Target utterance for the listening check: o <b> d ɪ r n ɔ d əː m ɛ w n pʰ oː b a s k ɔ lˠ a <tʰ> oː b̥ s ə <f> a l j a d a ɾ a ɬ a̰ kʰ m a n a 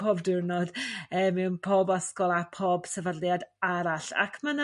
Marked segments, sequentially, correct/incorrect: correct, incorrect, incorrect

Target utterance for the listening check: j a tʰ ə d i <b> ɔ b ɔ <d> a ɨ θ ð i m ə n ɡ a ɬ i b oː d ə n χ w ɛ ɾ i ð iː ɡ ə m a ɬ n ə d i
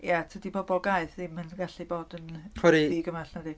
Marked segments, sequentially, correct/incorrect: correct, incorrect

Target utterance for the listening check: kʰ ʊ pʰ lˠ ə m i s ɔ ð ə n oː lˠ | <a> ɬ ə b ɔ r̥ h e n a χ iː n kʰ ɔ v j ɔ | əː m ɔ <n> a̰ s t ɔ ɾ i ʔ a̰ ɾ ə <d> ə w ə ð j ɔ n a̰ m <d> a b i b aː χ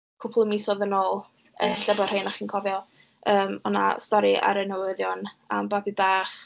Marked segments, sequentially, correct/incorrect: incorrect, correct, incorrect, incorrect

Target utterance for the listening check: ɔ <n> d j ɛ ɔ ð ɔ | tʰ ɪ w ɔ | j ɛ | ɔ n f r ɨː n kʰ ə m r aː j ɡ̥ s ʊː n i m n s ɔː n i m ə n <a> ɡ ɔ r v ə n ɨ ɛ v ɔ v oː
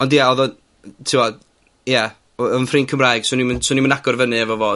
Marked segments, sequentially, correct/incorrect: correct, correct

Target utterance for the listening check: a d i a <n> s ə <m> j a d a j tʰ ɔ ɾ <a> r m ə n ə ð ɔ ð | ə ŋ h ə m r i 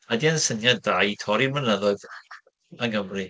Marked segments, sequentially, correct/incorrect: correct, incorrect, incorrect

